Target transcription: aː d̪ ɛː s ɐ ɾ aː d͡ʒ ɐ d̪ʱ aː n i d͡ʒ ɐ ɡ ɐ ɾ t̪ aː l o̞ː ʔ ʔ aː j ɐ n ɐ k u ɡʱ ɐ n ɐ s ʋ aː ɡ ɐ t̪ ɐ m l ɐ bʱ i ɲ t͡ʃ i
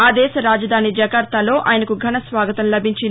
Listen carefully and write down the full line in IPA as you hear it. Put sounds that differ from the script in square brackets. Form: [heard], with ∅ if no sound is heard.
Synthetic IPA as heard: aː d̪ ɛː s ɐ ɾ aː d͡ʒ ɐ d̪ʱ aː n i d͡ʒ ɐ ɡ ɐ ɾ t̪ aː l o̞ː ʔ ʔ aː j ɐ n ɐ k u ɡʱ ɐ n ɐ s ʋ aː ɡ ɐ t̪ ɐ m l ɐ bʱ i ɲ t͡ʃ i